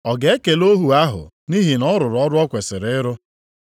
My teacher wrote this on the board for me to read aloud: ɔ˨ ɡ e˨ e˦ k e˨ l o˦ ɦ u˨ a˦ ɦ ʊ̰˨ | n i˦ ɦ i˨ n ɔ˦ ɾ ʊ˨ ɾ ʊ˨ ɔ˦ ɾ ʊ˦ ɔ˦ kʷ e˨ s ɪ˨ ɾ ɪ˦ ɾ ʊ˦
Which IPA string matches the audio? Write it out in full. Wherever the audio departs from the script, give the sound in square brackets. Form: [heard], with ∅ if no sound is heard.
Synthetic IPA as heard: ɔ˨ ɡ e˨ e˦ k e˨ l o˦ ɦ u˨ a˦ ɦ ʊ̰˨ | n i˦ ɦ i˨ n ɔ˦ ɾ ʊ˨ ɾ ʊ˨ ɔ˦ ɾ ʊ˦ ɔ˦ kʷ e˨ s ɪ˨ ɾ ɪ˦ ɾ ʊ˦